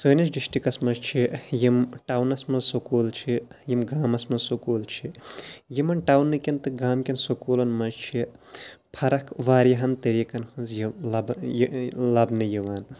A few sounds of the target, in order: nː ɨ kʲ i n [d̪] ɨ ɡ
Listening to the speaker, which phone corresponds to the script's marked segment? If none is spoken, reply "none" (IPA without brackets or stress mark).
t̪